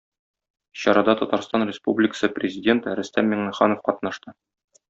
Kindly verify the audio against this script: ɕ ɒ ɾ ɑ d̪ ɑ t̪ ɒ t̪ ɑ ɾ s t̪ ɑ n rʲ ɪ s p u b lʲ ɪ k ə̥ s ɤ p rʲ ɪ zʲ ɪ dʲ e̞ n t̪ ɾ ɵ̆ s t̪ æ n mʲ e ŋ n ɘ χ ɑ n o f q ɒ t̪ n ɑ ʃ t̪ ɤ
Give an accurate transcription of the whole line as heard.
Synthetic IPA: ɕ ɒ ɾ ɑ d̪ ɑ t̪ ɒ t̪ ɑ ɾ s t̪ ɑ n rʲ ɪ s p u b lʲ ɪ k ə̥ s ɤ p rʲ ɪ zʲ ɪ dʲ e̞ n t̪ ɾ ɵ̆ s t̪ æ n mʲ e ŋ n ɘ χ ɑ n o f q ɒ t̪ n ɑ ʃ t̪ ɤ